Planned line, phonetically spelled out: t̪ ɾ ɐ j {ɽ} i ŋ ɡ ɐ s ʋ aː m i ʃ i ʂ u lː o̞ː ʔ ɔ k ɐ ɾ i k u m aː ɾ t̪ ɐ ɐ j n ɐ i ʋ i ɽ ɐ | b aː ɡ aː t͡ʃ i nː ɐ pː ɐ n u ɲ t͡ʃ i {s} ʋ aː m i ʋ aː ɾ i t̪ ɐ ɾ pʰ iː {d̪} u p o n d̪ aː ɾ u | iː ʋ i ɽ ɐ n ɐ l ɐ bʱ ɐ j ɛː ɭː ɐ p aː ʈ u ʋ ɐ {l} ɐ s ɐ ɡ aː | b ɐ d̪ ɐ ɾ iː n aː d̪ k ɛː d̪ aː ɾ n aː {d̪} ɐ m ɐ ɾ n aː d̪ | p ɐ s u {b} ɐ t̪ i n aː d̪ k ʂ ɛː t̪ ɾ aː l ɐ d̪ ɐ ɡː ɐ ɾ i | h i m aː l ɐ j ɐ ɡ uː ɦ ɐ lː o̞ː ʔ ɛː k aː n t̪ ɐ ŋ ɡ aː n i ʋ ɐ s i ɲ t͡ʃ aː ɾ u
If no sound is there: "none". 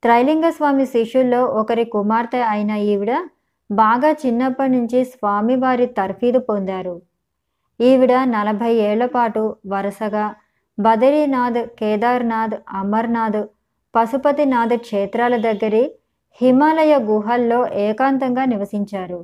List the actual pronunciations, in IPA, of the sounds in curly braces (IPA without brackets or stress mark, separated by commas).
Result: l, s, d̪, ɾ, d̪, p